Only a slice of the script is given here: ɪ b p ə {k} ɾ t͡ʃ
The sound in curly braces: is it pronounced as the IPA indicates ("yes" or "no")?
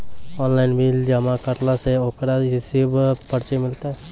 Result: no